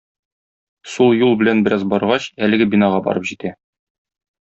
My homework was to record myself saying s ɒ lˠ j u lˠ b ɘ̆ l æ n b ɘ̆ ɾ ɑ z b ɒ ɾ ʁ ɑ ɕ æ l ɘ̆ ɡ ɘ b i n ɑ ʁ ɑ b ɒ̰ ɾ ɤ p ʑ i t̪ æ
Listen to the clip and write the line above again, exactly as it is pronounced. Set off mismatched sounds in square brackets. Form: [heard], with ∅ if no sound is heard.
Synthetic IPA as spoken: s [u] lˠ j u lˠ b ɘ̆ l æ n b ɘ̆ ɾ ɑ z b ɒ ɾ ʁ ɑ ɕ æ l ɘ̆ ɡ ɘ b i n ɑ ʁ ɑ b ɒ̰ ɾ ɤ p ʑ i t̪ æ